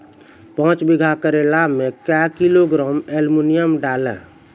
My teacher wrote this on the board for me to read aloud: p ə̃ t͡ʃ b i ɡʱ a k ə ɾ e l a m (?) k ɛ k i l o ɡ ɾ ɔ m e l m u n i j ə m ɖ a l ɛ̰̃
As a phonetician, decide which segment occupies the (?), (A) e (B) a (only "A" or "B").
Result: A